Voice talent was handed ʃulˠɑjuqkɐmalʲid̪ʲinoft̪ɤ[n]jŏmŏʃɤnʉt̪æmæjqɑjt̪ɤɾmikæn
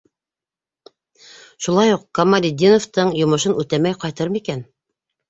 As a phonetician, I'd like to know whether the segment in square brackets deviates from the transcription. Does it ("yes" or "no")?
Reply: yes